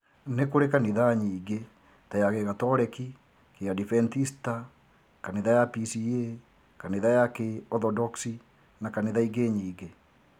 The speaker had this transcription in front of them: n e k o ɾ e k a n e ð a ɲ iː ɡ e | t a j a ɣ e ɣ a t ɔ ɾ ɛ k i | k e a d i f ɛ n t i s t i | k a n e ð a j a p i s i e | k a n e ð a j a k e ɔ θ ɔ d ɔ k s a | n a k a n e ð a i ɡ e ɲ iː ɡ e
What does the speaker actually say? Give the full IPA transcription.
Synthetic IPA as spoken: n e k o ɾ e k a n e ð a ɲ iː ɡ e | t a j a ɣ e ɣ a t ɔ ɾ ɛ k i | k e a d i f ɛ n t i s t a | k a n e ð a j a p i s i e | k a n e ð a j a k e ɔ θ ɔ d ɔ k s i | n a k a n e ð a i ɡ e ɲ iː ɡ e